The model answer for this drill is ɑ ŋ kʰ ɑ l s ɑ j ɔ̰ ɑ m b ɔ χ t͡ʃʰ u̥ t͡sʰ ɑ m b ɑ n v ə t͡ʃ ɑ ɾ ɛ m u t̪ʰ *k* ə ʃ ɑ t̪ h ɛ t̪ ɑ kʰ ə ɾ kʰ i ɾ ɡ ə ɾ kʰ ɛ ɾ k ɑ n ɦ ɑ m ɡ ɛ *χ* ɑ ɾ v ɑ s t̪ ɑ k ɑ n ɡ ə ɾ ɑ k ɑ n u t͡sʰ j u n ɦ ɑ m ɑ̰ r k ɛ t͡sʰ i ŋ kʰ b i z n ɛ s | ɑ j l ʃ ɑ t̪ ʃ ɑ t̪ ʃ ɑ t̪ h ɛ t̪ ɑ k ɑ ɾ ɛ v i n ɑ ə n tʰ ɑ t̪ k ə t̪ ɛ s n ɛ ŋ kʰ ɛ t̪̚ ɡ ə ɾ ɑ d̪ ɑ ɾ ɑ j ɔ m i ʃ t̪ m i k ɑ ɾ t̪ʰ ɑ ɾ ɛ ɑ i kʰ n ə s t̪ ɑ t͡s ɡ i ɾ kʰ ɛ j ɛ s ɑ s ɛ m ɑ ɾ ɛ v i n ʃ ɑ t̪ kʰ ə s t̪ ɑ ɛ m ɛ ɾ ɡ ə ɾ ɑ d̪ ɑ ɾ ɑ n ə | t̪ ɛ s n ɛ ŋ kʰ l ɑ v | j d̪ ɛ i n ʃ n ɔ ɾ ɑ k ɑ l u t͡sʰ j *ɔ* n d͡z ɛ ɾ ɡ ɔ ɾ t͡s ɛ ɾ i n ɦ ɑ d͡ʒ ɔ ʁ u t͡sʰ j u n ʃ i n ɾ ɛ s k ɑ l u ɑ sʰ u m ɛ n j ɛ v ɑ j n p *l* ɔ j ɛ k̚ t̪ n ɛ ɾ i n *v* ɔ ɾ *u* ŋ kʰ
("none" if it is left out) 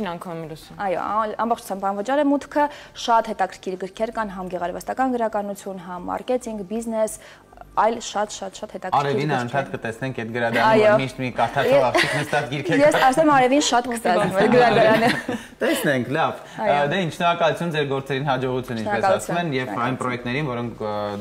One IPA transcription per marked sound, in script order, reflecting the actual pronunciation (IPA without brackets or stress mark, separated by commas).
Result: kʰ, ʁ, u, ɾ, v, ɔ